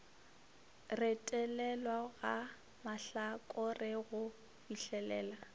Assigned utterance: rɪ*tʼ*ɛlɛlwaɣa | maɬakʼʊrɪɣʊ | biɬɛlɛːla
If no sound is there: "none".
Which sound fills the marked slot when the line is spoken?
tʼ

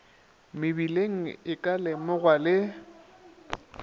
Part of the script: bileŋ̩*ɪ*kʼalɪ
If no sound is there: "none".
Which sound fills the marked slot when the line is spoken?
ɪ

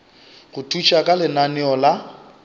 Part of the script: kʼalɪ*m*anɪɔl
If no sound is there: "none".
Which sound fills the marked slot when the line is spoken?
n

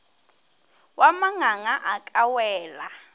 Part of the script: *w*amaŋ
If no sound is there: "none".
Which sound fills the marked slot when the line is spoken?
w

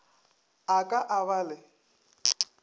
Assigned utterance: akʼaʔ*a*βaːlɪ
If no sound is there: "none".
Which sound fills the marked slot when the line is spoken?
a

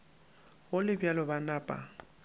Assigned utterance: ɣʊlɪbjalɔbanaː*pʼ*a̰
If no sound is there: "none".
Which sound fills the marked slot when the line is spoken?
pʼ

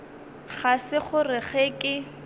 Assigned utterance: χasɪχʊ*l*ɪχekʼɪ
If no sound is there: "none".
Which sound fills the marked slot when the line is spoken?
r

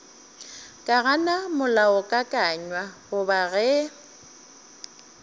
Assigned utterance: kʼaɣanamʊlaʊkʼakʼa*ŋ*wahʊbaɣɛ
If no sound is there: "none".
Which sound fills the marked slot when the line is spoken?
ɲ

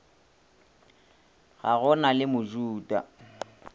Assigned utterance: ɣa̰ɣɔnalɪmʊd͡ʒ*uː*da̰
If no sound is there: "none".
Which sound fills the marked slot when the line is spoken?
uː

